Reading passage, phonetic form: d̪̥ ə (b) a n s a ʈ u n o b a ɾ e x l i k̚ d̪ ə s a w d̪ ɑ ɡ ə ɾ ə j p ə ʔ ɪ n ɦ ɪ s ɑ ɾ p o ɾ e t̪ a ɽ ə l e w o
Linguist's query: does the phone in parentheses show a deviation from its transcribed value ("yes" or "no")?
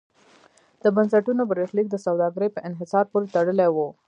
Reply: no